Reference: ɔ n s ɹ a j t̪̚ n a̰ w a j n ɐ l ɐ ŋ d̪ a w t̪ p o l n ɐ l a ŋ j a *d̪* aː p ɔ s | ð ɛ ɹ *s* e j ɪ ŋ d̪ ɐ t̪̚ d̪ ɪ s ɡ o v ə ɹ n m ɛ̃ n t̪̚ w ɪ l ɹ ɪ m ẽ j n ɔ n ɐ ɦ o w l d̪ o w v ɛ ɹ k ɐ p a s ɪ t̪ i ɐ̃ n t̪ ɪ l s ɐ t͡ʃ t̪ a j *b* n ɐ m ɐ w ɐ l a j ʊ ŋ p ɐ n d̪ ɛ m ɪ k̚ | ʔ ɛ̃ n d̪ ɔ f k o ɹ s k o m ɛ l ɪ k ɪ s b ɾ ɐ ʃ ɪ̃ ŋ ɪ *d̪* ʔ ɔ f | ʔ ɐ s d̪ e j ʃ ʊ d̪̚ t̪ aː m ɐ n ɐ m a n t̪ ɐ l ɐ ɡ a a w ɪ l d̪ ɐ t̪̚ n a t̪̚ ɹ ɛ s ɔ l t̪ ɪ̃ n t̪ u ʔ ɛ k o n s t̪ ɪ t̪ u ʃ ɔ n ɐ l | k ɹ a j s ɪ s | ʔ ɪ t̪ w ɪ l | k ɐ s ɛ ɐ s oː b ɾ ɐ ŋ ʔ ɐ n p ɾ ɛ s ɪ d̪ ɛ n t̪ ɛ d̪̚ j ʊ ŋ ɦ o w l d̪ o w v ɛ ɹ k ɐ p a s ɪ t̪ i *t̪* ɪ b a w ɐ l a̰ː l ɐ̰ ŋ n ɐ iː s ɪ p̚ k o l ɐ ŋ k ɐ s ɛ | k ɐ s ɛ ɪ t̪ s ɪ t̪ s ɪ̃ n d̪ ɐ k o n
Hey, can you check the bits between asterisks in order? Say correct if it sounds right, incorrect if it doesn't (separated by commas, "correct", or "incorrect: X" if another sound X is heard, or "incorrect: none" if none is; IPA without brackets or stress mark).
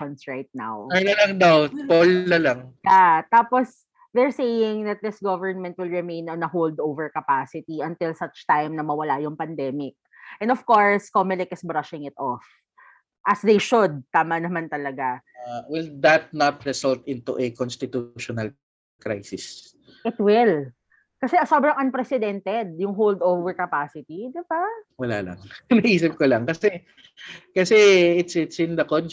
incorrect: t̪, correct, incorrect: m, incorrect: t̪, incorrect: d̪